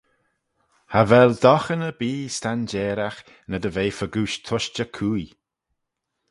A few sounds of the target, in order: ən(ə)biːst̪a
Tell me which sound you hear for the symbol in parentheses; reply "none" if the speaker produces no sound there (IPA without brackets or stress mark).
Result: ə